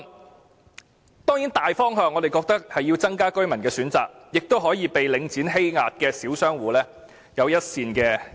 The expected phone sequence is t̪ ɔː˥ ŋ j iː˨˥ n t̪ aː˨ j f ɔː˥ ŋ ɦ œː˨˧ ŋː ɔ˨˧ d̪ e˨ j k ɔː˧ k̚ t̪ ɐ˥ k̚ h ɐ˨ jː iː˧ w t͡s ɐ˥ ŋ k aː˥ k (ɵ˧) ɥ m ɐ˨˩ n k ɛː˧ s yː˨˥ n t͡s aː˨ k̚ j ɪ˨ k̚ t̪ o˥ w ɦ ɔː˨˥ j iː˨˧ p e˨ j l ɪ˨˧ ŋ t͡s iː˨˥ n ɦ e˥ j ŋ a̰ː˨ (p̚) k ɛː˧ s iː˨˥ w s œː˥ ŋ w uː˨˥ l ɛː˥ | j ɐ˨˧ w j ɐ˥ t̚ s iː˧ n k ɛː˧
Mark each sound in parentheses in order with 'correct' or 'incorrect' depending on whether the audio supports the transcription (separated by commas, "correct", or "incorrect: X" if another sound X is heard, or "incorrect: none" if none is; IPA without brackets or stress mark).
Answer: incorrect: ɵ˥, incorrect: t̚